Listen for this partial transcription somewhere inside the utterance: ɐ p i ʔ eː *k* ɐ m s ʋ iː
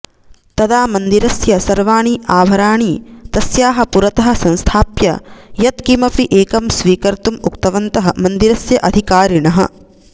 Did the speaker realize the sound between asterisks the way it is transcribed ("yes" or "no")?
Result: yes